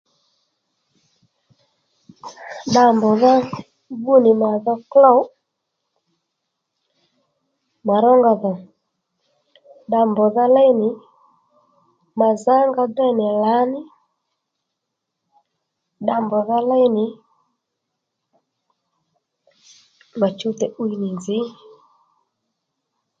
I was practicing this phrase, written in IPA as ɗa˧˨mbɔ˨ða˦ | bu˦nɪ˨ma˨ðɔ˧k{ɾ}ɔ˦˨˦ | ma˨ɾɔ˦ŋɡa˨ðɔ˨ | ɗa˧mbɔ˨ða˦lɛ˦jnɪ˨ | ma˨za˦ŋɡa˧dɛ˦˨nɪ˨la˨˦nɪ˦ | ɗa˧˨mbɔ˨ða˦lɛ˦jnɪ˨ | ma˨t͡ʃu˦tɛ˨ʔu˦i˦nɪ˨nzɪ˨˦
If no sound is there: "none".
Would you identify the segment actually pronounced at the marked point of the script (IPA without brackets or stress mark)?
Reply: l